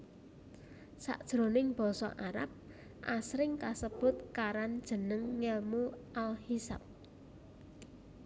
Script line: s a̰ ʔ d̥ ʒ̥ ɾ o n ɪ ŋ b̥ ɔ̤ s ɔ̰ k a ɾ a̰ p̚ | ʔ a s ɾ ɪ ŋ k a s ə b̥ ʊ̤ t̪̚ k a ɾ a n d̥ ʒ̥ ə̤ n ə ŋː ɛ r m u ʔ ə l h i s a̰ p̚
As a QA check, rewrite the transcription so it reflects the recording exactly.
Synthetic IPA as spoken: s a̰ ʔ d̥ ʒ̥ ɾ o n ɪ ŋ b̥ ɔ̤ s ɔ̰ ʔ a ɾ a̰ p̚ | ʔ a s ɾ ɪ ŋ k a s ə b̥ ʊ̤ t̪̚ k a ɾ a n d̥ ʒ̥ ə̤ n ə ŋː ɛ l m u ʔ a l h i s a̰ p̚